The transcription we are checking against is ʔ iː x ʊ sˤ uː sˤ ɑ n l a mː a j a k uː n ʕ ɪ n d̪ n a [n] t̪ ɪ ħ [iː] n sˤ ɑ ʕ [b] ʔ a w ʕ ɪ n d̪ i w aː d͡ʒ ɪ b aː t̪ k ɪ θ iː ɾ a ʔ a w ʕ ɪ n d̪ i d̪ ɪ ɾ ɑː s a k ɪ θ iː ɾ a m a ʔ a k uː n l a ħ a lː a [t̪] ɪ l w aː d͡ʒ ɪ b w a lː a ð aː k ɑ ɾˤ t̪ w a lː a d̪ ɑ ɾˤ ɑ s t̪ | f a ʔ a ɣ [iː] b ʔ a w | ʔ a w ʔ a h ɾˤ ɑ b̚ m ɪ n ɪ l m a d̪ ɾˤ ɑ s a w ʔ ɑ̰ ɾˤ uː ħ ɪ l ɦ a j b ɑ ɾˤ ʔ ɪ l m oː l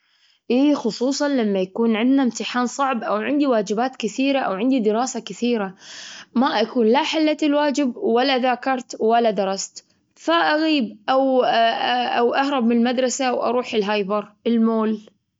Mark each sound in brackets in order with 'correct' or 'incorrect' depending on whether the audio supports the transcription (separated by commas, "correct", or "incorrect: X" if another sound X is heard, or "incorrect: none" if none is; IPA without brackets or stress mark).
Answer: incorrect: m, incorrect: aː, correct, correct, correct